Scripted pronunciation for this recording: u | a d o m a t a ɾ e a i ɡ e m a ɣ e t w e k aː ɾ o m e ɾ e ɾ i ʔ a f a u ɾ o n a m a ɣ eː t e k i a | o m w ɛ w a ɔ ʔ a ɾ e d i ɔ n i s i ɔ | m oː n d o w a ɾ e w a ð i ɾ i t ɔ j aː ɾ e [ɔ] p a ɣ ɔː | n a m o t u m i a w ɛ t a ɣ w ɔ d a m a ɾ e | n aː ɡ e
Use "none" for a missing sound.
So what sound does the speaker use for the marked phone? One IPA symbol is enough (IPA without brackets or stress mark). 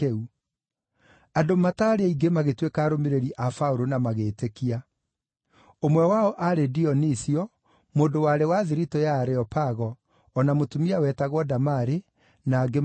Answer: ɔ